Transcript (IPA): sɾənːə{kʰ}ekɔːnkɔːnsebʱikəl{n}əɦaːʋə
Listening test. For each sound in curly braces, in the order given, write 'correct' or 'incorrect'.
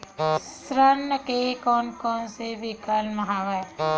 incorrect, incorrect

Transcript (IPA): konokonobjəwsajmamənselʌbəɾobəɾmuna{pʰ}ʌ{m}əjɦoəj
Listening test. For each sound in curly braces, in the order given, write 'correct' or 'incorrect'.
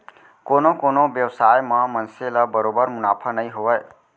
correct, incorrect

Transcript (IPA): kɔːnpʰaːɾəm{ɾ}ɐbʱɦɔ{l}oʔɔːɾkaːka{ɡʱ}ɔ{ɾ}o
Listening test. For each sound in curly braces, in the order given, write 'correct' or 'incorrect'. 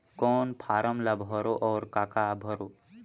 incorrect, incorrect, incorrect, correct

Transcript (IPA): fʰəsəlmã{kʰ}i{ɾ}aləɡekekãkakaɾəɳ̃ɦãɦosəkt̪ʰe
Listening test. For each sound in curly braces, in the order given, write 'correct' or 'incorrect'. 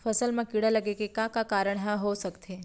incorrect, incorrect

